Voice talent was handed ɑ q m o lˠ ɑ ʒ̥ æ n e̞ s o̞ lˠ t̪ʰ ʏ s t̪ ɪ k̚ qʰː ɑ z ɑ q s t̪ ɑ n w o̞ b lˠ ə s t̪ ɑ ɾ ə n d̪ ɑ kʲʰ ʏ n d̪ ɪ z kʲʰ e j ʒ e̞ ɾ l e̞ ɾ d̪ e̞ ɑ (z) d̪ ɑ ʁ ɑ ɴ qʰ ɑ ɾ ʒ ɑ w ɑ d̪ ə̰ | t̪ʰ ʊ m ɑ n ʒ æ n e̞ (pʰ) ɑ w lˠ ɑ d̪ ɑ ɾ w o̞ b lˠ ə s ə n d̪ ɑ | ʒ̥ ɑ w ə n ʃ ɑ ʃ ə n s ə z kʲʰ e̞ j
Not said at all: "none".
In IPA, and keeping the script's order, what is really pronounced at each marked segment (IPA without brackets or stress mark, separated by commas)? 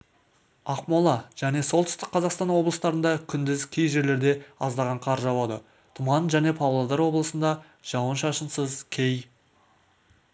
z, pʰ